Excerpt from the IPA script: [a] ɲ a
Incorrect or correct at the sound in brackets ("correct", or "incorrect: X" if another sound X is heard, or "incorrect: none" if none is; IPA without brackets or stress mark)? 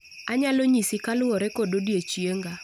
correct